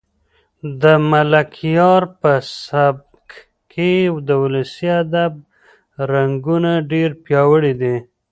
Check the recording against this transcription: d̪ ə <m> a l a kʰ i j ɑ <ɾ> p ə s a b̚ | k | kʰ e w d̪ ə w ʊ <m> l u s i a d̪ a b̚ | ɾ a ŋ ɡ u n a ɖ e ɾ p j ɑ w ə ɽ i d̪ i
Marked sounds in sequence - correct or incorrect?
correct, correct, incorrect

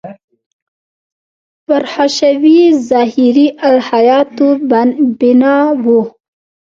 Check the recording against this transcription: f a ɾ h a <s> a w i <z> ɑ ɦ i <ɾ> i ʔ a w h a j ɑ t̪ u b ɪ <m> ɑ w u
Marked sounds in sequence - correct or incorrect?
incorrect, correct, correct, incorrect

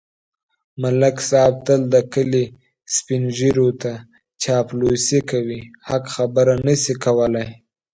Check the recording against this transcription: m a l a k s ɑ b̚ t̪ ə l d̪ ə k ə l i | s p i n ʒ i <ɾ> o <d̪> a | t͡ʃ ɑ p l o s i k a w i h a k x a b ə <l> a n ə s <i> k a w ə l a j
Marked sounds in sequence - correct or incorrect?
correct, incorrect, incorrect, correct

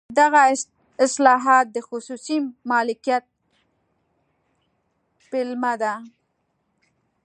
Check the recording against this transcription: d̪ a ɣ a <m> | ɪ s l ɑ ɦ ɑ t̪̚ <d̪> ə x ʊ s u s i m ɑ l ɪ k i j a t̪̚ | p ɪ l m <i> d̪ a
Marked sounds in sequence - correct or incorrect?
incorrect, correct, incorrect

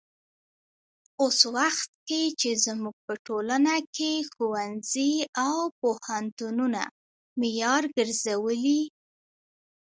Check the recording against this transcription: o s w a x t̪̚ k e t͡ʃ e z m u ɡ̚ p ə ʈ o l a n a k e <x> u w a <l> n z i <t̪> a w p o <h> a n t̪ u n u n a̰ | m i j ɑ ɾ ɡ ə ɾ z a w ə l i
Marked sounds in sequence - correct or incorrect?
correct, incorrect, incorrect, correct

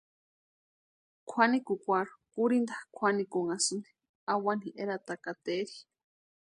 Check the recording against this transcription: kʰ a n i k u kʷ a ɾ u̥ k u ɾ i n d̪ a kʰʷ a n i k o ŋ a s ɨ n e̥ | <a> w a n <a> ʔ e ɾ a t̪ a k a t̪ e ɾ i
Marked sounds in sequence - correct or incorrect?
correct, incorrect

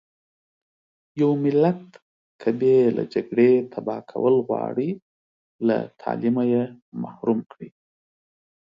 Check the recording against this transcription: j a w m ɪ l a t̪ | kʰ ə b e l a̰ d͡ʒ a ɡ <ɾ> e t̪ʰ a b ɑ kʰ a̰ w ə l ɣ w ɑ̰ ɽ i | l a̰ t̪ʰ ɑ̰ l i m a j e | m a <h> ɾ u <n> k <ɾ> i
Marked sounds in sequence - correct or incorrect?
incorrect, correct, incorrect, incorrect

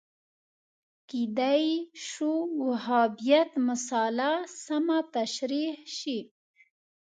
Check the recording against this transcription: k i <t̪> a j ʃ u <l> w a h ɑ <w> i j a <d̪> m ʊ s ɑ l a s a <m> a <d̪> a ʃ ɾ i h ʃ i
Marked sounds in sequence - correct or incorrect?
incorrect, incorrect, incorrect, incorrect, correct, incorrect

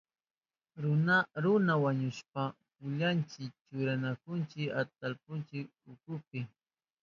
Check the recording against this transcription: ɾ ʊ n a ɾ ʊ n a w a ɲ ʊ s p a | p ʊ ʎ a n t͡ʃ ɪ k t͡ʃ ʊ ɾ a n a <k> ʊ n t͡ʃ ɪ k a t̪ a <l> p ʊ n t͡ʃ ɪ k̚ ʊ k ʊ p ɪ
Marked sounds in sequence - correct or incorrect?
correct, correct

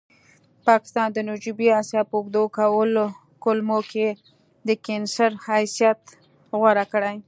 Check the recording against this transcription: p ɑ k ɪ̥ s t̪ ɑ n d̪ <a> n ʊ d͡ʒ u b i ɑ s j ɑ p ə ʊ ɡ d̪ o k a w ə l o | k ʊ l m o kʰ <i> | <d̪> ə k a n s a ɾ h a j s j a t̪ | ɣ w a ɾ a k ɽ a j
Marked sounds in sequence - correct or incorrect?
incorrect, incorrect, correct

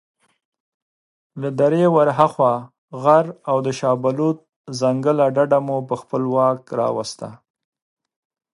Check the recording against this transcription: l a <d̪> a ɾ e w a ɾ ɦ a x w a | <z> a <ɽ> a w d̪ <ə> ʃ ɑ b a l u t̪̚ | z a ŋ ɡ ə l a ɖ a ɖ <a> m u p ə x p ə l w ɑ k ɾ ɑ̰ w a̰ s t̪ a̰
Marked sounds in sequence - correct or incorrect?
correct, incorrect, incorrect, correct, correct

